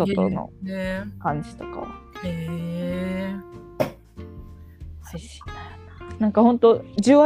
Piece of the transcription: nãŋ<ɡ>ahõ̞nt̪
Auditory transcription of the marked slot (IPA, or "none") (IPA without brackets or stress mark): k